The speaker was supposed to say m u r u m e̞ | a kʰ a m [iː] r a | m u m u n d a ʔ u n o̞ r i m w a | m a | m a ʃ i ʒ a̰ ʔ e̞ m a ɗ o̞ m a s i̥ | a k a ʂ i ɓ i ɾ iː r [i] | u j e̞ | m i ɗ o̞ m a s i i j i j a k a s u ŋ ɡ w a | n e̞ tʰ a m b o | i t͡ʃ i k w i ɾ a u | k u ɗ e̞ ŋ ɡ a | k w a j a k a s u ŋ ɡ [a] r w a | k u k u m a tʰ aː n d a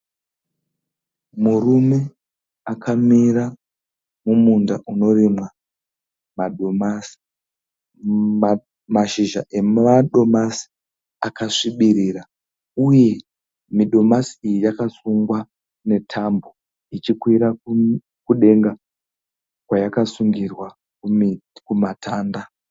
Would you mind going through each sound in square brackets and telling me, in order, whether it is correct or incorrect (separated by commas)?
incorrect, incorrect, incorrect